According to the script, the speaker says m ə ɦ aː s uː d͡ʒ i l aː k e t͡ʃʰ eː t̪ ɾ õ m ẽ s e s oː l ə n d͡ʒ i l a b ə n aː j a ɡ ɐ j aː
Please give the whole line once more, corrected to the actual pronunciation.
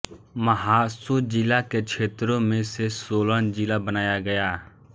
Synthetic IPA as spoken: m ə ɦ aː s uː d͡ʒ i l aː k e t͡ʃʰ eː t̪ ɾ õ m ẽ s e s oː l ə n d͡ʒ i l a b ə n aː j a ɡ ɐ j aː

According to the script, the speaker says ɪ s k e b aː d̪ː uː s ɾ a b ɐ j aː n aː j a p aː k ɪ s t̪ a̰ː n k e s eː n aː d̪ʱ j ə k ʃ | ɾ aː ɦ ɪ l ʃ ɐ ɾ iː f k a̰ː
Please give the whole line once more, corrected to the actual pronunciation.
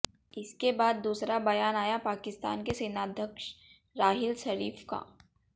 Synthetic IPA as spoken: ɪ s k e b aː d̪ː uː s ɾ a b ɐ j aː n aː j a p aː k ɪ s t̪ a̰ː n k e s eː n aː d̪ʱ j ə k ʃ | ɾ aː ɦ ɪ l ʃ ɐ ɾ iː f k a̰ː

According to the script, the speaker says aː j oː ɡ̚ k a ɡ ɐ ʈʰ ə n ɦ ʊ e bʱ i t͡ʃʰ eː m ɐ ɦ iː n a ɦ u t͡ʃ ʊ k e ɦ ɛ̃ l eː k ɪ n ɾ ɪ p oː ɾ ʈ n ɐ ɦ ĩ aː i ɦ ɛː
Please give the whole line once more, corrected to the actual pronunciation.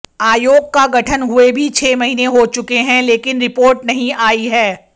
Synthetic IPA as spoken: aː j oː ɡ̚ k a ɡ ɐ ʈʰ ə n ɦ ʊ e bʱ i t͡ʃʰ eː m ɐ ɦ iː n e ɦ o t͡ʃ ʊ k e ɦ ɛ̃ l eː k ɪ n ɾ ɪ p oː ɾ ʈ n ɐ ɦ ĩ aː i ɦ ɛː

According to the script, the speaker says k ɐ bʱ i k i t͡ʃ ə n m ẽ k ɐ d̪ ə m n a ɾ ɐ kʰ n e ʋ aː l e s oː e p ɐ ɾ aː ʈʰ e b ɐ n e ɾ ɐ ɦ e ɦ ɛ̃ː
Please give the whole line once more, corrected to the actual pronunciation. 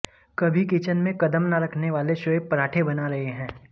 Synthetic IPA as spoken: k ɐ bʱ i k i t͡ʃ ə n m ẽ k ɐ d̪ ə m n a ɾ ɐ kʰ n e ʋ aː l e ʃ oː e p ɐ ɾ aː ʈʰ e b ɐ n a ɾ ɐ ɦ e ɦ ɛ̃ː

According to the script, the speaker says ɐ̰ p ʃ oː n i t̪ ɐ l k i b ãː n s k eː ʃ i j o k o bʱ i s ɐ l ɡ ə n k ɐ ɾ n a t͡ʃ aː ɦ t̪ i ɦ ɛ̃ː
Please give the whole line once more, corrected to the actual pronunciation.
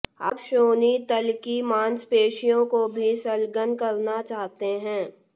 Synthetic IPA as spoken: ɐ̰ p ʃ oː n i t̪ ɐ l k i m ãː n s p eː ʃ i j õ k o bʱ i s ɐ l ɡ ə n k ɐ ɾ n a t͡ʃ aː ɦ t̪ e ɦ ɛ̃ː

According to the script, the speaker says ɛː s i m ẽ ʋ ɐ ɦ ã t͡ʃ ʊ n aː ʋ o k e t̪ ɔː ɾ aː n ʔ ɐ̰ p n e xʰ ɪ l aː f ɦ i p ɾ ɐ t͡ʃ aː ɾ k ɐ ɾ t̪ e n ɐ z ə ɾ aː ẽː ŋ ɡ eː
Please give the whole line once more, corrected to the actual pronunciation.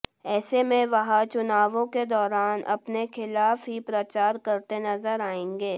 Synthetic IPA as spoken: ɛː s e m ẽ ʋ ɐ ɦ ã t͡ʃ ʊ n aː ʋ õ k e d̪ ɔː ɾ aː n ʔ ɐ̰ p n e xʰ ɪ l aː f ɦ i p ɾ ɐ t͡ʃ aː ɾ k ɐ ɾ t̪ e n ɐ z ə ɾ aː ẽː ŋ ɡ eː

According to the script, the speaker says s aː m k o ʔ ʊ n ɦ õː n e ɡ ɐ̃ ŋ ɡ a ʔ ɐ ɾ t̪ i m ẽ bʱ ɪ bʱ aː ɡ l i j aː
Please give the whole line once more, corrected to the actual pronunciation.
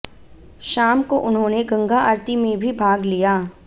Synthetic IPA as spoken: ʃ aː m k o ʔ ʊ n ɦ õː n e ɡ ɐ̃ ŋ ɡ a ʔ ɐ ɾ t̪ i m ẽ bʱ i bʱ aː ɡ l i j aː

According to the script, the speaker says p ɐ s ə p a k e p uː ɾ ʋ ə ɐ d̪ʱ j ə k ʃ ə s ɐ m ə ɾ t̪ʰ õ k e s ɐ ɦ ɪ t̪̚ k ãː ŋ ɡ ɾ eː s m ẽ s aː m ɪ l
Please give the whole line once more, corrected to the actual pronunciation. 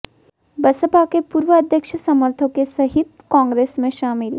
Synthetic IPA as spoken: b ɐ s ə p a k e p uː ɾ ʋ ə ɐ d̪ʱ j ə k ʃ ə s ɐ m ə ɾ t̪ʰ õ k e s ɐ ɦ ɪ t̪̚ k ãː ŋ ɡ ɾ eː s m ẽ ʃ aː m ɪ l

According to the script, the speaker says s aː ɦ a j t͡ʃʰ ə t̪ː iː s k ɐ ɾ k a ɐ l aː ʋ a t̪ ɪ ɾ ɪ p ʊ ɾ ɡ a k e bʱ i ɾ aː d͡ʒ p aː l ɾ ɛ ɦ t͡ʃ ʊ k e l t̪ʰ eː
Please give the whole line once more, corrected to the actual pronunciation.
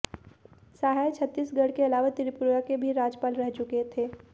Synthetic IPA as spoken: s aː ɦ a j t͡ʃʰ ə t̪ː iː s ɡ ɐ ɽ k e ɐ l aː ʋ a t̪ ɪ ɾ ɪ p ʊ ɾ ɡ a k e bʱ i ɾ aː d͡ʒ p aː l ɾ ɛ ɦ t͡ʃ ʊ k e t̪ʰ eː

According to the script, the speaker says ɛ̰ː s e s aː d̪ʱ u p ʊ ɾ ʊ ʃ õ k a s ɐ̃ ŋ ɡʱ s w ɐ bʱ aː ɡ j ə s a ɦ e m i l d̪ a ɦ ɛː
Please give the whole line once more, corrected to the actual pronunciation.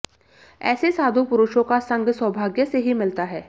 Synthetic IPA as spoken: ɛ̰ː s e s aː d̪ʱ u p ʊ ɾ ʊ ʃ õ k a s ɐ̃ ŋ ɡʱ s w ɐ bʱ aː ɡ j ə s e ɦ i m ɪ l t̪ a ɦ ɛː

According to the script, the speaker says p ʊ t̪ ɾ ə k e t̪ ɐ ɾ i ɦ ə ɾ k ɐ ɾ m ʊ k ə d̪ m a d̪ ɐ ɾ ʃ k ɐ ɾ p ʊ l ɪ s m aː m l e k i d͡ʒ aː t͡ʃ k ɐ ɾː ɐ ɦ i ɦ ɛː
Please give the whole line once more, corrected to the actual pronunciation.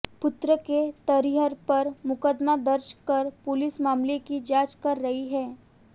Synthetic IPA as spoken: p ʊ t̪ ɾ ə k e t̪ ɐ ɾ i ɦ ə ɾ p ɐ ɾ m ʊ k ə d̪ m a d̪ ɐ ɾ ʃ k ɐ ɾ p ʊ l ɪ s m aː m l e k i d͡ʒ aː t͡ʃ k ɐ ɾː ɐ ɦ i ɦ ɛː

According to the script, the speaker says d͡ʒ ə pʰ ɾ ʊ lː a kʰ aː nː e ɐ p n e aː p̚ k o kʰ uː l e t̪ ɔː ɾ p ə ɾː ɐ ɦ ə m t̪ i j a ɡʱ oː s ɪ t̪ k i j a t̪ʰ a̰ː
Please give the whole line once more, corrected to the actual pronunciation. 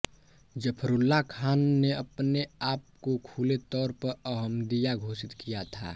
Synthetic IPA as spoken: d͡ʒ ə pʰ ɾ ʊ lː a kʰ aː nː e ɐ p n e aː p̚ k o kʰ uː l e t̪ ɔː ɾ p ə ɾ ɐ ɦ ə m d̪ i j a ɡʱ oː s ɪ t̪ k i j a t̪ʰ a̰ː

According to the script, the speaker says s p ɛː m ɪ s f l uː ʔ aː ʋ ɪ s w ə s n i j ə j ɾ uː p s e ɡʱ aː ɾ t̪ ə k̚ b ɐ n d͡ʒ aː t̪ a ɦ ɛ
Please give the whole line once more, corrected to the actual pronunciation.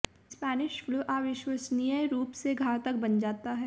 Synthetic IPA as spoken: s p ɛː n ɪ ʃ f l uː ʔ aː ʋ ɪ ʃ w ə s n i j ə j ɾ uː p s e ɡʱ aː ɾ t̪ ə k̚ b ɐ n d͡ʒ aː t̪ a ɦ ɛ

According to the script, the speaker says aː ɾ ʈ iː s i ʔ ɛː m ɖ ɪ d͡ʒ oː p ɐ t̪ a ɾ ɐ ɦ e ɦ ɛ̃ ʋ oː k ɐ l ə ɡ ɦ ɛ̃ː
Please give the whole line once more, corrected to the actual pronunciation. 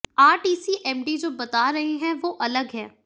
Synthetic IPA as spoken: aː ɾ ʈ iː s i ʔ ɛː m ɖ i d͡ʒ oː b ɐ t̪ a ɾ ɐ ɦ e ɦ ɛ̃ ʋ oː ʔ ɐ l ə ɡ ɦ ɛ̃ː

